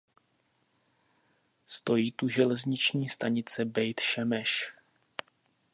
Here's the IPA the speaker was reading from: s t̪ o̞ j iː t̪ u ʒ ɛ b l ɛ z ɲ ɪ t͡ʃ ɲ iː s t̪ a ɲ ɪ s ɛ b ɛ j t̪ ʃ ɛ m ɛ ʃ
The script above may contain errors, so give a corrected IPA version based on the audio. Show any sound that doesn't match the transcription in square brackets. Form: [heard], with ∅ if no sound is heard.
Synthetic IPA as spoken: s t̪ o̞ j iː t̪ u ʒ ɛ [∅] l ɛ z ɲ ɪ t͡ʃ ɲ iː s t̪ a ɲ ɪ [t͡s] ɛ b ɛ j t̪ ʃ ɛ m ɛ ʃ